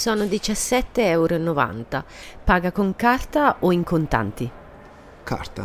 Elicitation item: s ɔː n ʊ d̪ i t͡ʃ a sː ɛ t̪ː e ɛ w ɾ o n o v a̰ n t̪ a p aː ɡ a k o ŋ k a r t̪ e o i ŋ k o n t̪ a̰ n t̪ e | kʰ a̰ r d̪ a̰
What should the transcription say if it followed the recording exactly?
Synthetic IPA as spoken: s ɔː n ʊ d̪ i t͡ʃ a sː ɛ t̪ː e ɛ w ɾ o n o v a̰ n t̪ a p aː ɡ a k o ŋ k a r t̪ a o i ŋ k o n t̪ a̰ n t̪ i | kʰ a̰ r t̪ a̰